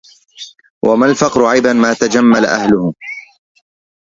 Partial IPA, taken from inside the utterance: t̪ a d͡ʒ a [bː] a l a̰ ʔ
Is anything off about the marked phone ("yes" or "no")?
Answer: yes